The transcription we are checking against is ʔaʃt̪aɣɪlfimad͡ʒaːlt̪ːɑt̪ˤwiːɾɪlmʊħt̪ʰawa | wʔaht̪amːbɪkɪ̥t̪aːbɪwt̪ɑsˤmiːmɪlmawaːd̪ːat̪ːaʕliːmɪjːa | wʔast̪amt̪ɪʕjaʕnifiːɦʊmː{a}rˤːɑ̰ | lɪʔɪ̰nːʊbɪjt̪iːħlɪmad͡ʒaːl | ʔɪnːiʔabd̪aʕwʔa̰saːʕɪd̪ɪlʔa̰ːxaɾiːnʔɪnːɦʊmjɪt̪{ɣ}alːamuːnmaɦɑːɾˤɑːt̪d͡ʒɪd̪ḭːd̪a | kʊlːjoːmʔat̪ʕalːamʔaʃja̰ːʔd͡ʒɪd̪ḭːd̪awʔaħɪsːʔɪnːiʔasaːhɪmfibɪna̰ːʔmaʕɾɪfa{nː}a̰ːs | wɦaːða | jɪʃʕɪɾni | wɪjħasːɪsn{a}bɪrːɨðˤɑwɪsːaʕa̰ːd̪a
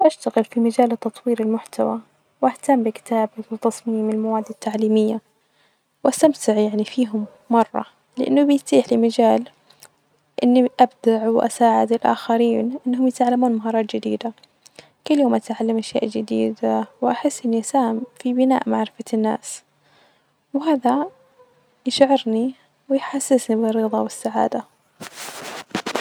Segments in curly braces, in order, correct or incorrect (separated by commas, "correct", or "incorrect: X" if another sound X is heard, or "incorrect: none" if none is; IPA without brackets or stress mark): incorrect: ɑ, incorrect: ʕ, correct, incorrect: i